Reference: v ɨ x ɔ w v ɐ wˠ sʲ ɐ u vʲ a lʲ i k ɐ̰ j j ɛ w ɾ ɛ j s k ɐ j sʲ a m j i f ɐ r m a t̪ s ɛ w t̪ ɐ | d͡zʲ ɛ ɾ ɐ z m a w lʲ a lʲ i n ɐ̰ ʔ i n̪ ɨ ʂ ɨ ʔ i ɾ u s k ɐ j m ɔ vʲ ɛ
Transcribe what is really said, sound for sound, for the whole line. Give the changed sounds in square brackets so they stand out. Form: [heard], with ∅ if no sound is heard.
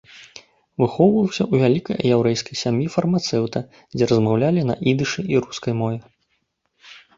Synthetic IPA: v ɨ x ɔ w v ɐ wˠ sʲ ɐ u vʲ a lʲ i k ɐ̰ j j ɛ w ɾ ɛ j s k ɐ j sʲ a m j i f ɐ r m a t̪ s ɛ w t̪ ɐ | d͡zʲ ɛ ɾ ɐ z m a w lʲ a lʲ i n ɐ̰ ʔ i [d̪] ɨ ʂ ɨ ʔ i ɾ u s k ɐ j m ɔ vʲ ɛ